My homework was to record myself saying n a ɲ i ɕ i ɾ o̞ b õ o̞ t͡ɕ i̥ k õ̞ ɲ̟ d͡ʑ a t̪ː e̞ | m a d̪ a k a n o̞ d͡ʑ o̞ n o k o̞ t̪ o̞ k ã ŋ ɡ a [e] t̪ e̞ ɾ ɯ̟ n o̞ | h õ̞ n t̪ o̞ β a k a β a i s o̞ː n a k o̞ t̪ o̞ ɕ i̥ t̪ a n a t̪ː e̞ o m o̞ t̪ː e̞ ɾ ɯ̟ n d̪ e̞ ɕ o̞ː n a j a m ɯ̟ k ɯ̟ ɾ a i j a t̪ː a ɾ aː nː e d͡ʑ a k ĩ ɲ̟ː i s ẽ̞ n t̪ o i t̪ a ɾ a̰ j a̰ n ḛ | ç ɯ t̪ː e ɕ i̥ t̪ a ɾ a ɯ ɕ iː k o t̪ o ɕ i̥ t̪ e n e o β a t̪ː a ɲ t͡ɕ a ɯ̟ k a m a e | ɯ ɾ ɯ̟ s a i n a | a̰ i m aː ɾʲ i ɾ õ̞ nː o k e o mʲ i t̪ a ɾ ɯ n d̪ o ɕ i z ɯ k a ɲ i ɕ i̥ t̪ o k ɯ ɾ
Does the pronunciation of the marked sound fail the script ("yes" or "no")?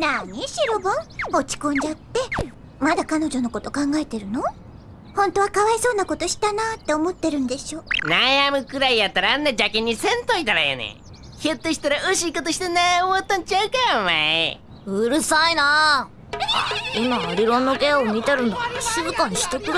no